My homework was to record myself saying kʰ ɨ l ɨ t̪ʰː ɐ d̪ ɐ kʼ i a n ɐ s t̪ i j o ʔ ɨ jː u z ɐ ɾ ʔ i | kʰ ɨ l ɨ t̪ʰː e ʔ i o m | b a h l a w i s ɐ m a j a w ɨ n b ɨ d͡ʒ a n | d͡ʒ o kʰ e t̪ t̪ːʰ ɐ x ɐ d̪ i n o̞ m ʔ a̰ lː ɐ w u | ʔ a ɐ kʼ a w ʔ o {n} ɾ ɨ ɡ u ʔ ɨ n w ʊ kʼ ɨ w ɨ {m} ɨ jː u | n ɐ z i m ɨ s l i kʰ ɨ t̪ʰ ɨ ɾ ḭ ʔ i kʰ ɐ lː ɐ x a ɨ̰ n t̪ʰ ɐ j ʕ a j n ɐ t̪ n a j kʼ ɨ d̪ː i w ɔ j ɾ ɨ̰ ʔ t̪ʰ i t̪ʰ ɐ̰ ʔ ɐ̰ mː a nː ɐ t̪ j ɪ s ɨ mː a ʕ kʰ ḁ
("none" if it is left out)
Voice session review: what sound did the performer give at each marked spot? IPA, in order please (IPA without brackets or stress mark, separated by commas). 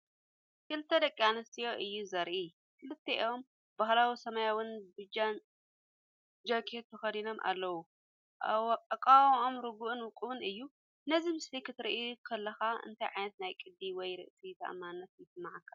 m, n